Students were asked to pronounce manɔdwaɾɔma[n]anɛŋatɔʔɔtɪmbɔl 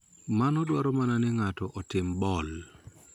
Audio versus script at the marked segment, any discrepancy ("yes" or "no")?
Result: no